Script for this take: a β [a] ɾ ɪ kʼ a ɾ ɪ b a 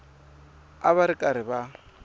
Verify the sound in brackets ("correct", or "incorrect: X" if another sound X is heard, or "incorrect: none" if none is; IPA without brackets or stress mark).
correct